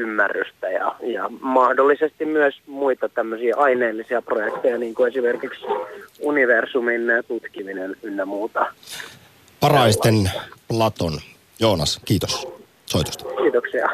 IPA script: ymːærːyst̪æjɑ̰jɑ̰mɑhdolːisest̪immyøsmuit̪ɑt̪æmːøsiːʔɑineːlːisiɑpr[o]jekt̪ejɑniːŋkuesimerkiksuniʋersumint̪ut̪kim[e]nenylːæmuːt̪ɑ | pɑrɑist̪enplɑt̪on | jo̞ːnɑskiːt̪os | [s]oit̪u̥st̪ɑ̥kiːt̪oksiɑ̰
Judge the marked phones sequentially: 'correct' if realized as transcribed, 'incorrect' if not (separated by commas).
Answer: correct, incorrect, correct